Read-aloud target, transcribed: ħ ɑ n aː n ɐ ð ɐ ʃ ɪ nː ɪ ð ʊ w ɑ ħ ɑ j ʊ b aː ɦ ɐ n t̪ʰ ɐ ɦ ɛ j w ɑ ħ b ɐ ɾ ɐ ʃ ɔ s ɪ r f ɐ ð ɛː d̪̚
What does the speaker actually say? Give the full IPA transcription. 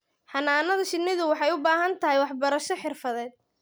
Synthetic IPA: ħ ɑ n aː n ɐ ð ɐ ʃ ɪ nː ɪ ð ʊ w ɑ ħ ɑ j ʊ b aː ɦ ɐ n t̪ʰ ɐ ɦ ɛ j w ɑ ħ b ɐ ɾ ɐ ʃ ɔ ħ ɪ r f ɐ ð ɛː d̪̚